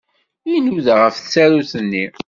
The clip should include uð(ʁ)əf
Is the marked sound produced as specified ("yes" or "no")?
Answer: yes